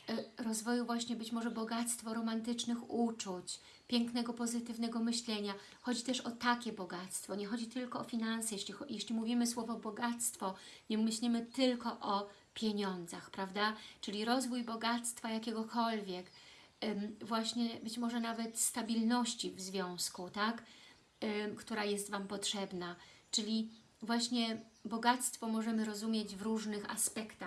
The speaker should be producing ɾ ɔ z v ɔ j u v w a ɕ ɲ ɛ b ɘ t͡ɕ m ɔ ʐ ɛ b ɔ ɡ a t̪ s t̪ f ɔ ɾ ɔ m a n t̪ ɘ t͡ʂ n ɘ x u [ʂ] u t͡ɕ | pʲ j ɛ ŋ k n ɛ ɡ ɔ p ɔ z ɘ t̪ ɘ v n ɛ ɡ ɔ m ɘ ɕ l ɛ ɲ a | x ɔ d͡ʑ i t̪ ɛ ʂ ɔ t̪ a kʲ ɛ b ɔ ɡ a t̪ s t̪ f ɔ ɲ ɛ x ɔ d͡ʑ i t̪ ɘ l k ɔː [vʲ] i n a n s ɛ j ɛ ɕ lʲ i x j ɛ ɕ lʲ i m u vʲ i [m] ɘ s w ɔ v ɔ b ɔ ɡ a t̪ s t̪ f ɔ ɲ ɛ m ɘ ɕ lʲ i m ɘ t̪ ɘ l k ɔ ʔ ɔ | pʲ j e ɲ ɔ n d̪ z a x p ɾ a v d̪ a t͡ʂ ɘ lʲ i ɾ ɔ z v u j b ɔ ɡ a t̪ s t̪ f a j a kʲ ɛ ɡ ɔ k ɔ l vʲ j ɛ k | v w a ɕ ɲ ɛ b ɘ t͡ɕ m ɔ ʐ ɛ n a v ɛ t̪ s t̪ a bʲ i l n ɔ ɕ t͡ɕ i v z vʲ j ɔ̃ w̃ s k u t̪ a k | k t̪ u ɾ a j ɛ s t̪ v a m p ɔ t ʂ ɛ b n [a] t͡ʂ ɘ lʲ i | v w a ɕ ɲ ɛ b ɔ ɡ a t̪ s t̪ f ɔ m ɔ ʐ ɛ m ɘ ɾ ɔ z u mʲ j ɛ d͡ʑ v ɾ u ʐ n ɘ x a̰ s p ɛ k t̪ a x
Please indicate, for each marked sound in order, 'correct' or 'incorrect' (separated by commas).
incorrect, incorrect, correct, correct